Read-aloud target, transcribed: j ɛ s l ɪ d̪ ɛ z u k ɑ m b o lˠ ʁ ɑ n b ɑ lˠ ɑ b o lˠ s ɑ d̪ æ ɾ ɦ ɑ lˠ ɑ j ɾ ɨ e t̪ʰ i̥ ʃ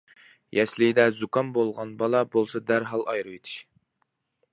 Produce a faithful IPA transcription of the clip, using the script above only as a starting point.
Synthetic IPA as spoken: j ɛ s l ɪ d̪ ɛ z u k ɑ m b o lˠ ʁ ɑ n b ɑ lˠ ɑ b o lˠ s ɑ d̪ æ ɾ ɦ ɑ lˠ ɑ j ɾ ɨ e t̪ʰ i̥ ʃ